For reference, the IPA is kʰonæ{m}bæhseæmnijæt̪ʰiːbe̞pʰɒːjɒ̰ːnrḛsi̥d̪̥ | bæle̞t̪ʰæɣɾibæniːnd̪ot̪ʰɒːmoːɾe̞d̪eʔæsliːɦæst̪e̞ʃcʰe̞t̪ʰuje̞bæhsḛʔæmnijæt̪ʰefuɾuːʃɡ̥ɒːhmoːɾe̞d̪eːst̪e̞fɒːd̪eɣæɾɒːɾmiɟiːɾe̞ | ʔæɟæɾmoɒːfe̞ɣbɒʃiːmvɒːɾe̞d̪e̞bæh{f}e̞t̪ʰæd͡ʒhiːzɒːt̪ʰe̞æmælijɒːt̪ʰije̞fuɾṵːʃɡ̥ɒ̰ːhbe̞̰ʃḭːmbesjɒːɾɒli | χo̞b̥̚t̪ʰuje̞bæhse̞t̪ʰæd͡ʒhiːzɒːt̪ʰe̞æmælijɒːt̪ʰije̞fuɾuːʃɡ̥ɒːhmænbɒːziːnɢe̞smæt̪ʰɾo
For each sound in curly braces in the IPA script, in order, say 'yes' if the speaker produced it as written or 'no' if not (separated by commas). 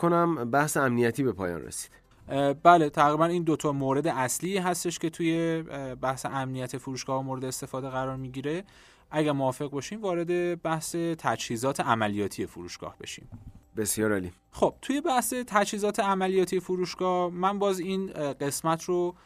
yes, no